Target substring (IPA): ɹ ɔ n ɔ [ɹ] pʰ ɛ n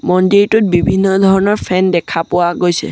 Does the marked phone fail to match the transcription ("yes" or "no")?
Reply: no